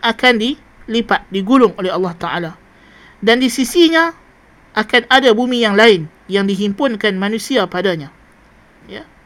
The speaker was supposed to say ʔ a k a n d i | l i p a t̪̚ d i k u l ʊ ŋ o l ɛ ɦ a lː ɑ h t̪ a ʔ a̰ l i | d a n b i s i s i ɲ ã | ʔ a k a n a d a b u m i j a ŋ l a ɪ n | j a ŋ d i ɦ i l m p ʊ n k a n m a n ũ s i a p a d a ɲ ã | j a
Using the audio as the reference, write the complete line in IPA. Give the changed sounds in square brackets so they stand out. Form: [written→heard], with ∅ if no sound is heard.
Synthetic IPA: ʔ a k a n d i | l i p a t̪̚ d i [k→ɡ] u l ʊ ŋ o l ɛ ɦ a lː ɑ h t̪ a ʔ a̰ l [i→a] | d a n [b→d] i s i s i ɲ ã | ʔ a k a n a d a b u m i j a ŋ l a ɪ n | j a ŋ d i ɦ i [l→∅] m p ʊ n k a n m a n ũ s i a p a d a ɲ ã | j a